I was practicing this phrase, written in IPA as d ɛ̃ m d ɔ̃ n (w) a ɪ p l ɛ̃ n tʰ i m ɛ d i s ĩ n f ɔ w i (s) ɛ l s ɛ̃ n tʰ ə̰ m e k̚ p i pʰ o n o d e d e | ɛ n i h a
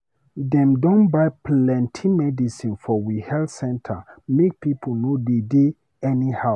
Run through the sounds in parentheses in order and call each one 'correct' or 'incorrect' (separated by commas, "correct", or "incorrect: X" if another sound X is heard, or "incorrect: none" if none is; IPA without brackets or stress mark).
incorrect: b, incorrect: h